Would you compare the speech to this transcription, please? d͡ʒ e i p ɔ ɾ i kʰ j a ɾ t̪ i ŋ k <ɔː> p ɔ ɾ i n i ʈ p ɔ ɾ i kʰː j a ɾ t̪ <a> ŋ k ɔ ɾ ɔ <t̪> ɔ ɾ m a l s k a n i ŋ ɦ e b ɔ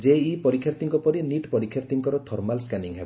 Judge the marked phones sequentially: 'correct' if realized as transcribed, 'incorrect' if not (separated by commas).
incorrect, incorrect, incorrect